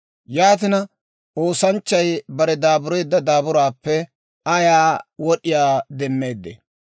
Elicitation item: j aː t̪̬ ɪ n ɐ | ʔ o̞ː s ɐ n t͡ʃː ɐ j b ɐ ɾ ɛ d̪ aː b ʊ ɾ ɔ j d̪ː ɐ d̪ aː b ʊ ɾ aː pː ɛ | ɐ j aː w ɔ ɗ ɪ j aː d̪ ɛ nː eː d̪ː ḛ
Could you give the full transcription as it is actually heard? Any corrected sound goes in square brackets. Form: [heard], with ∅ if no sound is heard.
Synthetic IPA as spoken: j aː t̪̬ ɪ n ɐ | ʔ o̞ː s ɐ n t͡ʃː ɐ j b ɐ ɾ ɛ d̪ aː b ʊ ɾ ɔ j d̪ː ɐ d̪ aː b ʊ ɾ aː pː ɛ | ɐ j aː w ɔ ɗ ɪ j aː d̪ ɛ [mː] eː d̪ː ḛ